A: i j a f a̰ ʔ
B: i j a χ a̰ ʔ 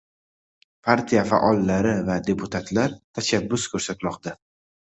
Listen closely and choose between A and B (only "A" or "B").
A